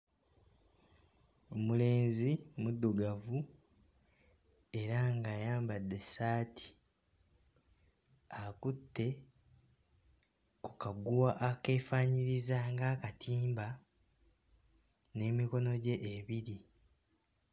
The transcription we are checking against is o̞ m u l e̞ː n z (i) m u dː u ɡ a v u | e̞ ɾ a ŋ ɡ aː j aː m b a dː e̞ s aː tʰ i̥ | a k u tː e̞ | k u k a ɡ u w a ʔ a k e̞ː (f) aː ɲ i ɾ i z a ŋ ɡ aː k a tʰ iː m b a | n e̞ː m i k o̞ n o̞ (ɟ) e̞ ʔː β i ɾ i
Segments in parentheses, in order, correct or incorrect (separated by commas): correct, correct, correct